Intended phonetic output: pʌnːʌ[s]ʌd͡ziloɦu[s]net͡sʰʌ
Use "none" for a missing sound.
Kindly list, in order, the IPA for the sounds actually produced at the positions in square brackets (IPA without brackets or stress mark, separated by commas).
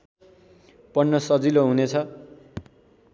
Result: s, none